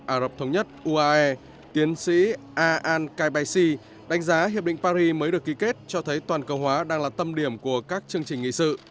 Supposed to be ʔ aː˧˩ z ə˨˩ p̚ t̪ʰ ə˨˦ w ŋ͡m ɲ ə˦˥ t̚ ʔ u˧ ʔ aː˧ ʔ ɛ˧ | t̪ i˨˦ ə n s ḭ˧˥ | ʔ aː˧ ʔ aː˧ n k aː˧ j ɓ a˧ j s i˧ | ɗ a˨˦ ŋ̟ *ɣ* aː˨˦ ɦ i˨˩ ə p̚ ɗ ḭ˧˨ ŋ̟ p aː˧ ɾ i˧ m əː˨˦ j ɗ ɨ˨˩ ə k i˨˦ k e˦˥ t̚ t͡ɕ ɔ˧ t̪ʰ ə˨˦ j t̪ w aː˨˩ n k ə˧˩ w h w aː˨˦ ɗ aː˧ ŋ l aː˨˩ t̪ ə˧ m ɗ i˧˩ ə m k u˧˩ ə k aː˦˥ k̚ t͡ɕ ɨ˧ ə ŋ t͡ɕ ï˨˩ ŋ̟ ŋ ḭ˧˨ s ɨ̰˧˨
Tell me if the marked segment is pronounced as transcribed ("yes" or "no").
no